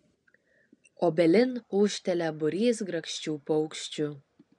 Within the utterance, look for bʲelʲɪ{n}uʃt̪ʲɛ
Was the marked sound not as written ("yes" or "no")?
no